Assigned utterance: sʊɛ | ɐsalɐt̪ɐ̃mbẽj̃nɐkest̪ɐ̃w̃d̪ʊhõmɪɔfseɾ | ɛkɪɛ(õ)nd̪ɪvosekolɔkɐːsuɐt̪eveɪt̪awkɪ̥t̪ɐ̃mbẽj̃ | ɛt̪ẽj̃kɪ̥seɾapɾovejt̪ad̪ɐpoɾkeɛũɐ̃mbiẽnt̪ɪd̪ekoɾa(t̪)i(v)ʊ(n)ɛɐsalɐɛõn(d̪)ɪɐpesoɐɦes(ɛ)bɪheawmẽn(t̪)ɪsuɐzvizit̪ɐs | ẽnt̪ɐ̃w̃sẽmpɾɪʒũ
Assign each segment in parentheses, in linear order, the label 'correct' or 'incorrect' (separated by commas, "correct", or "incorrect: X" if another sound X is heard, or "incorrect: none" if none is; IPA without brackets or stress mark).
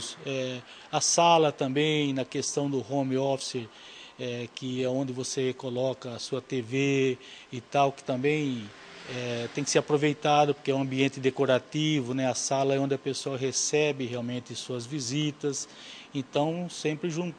correct, correct, correct, correct, correct, correct, correct